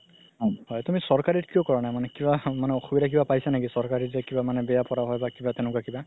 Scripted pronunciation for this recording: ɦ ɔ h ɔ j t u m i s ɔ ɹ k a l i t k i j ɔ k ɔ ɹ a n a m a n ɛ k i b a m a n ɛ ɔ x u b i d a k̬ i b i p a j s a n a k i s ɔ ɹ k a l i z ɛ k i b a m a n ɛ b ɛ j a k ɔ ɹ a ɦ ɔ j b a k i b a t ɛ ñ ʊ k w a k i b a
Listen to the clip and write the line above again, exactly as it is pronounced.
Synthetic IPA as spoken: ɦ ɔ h ɔ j t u m i s ɔ ɹ k a ɹ i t k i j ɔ k ɔ ɹ a n a m a n ɛ k i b a m a n ɛ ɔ x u b i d a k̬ i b a p a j s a n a k i s ɔ ɹ k a ɹ i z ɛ k i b a m a n ɛ b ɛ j a p ɔ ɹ a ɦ ɔ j b a k i b a t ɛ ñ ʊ k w a k i b a